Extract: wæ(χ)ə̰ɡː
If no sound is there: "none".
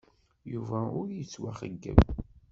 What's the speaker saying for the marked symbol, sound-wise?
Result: χ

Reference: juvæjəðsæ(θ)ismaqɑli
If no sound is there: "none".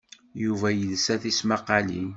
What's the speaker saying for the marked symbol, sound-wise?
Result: θ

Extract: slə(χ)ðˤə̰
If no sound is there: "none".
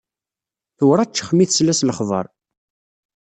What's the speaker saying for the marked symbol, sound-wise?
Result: χ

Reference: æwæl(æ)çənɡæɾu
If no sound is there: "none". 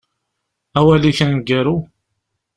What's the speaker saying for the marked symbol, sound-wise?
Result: i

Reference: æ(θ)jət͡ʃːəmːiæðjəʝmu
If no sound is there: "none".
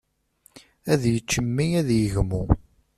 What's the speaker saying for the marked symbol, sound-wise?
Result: ð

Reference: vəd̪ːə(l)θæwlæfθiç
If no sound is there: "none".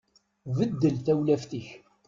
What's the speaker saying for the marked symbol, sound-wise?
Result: l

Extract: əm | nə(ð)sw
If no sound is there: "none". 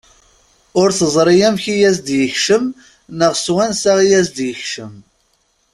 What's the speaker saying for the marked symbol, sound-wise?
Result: ʁ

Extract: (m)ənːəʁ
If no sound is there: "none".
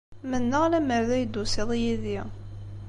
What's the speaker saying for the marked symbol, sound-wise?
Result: m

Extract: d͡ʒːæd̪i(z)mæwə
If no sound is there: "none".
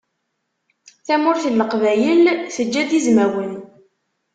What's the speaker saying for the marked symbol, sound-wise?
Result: z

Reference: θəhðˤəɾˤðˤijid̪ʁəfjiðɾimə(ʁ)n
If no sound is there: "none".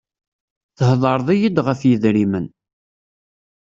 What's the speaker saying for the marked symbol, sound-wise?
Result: none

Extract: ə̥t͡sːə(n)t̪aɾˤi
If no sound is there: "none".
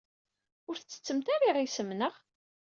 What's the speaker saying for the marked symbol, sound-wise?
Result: m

